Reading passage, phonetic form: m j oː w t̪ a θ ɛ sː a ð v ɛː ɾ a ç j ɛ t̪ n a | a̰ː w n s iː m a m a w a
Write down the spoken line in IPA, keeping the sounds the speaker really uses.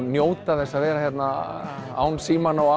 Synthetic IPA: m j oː w t̪ a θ ɛ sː a ð v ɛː ɾ a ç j ɛ t̪ n a | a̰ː w n s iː m a n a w a